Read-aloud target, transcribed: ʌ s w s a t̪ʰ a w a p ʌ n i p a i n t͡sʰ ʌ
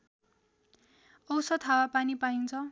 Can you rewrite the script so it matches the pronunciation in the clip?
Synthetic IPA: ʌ w s ʌ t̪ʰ a w a p a n i p a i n t͡sʰ ʌ